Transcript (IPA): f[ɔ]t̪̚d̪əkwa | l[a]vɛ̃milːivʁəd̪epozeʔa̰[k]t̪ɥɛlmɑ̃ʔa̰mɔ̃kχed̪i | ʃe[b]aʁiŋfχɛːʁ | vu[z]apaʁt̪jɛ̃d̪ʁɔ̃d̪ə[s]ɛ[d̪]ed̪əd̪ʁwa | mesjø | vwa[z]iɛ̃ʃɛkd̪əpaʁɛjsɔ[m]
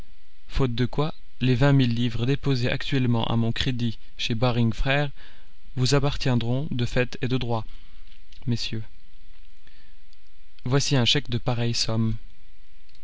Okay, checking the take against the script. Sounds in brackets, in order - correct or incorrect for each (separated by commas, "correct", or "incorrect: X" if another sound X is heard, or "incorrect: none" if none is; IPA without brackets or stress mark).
incorrect: o, incorrect: e, correct, correct, correct, incorrect: f, incorrect: t̪, incorrect: s, correct